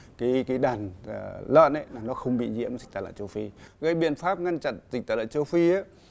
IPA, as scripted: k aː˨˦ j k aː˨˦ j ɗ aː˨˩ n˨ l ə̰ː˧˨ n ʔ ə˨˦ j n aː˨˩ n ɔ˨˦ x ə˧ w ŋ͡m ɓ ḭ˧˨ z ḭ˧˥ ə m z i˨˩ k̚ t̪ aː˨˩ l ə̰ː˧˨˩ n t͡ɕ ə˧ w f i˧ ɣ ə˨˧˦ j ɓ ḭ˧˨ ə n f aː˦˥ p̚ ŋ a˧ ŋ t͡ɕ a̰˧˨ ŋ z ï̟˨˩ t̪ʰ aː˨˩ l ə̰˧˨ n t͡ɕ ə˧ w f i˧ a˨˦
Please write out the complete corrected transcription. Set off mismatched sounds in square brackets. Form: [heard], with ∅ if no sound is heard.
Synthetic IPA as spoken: k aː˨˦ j k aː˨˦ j ɗ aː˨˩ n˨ l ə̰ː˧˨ n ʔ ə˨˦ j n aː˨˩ n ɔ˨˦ x ə˧ w ŋ͡m ɓ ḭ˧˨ z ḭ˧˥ ə m z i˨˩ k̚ t̪ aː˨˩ l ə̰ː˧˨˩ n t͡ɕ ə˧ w f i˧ ɣ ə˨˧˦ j ɓ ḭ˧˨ ə n f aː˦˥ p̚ ŋ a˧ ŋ t͡ɕ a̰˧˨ [n] z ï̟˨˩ [t̪] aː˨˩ l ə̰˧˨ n t͡ɕ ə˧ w f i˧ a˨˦